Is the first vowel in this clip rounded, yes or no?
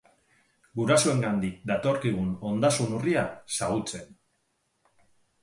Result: yes